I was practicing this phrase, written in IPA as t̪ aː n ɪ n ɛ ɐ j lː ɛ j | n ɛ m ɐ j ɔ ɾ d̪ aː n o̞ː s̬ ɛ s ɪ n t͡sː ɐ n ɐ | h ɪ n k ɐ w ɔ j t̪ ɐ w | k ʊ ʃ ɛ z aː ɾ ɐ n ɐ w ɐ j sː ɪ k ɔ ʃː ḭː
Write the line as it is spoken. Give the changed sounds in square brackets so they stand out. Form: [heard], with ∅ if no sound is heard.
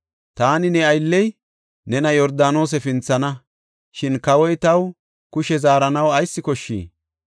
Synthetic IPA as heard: t̪ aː n ɪ n ɛ ɐ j lː ɛ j | n ɛ [n] ɐ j ɔ ɾ d̪ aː n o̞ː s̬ ɛ [f] ɪ n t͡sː ɐ n ɐ | [ʃ] ɪ n k ɐ w ɔ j t̪ ɐ w | k ʊ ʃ ɛ z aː ɾ ɐ n ɐ w ɐ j sː ɪ k ɔ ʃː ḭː

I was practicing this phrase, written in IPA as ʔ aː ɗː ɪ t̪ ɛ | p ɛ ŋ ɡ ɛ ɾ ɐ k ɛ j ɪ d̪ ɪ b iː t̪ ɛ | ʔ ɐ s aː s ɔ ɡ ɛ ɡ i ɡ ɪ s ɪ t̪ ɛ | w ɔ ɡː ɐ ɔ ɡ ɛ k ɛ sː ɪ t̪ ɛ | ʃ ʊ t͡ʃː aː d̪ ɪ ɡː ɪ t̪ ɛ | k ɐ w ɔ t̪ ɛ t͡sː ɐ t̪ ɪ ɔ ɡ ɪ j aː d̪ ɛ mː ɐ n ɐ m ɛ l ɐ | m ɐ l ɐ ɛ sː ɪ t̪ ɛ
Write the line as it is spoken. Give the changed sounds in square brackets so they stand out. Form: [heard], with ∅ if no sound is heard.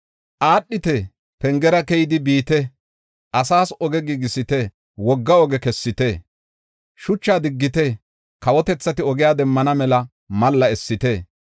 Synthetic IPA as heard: ʔ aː ɗː ɪ t̪ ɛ | p ɛ ŋ ɡ ɛ ɾ ɐ k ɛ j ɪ d̪ ɪ b iː t̪ ɛ | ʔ ɐ s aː s ɔ ɡ ɛ ɡ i ɡ ɪ s ɪ t̪ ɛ | w ɔ ɡː ɐ ɔ ɡ ɛ k ɛ sː ɪ t̪ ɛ | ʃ ʊ t͡ʃː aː d̪ ɪ ɡː ɪ t̪ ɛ | k ɐ w ɔ t̪ ɛ t͡sː ɐ t̪ ɪ ɔ ɡ ɪ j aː d̪ ɛ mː ɐ n ɐ m ɛ l ɐ | m ɐ [lː] ɐ ɛ sː ɪ t̪ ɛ

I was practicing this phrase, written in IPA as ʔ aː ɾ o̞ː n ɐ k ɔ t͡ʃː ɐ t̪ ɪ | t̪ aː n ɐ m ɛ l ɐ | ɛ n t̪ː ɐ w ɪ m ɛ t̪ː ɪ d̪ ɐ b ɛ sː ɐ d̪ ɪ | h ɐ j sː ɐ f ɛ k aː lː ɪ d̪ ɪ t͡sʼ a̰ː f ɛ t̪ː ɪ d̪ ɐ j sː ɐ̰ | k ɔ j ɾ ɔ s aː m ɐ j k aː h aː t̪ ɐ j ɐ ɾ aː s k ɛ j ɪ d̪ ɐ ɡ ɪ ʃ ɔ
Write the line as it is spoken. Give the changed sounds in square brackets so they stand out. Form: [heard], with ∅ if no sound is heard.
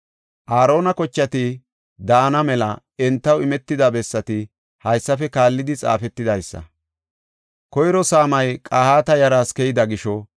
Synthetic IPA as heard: ʔ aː ɾ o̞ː n ɐ k ɔ t͡ʃː ɐ t̪ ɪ | [d̪] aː n ɐ m ɛ l ɐ | ɛ n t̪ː ɐ w ɪ m ɛ t̪ː ɪ d̪ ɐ b ɛ sː ɐ [t̪] ɪ | h ɐ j sː ɐ f ɛ k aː lː ɪ d̪ ɪ t͡sʼ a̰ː f ɛ t̪ː ɪ d̪ ɐ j sː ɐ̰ | k ɔ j ɾ ɔ s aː m ɐ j [kʼ] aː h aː t̪ ɐ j ɐ ɾ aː s k ɛ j ɪ d̪ ɐ ɡ ɪ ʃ ɔ

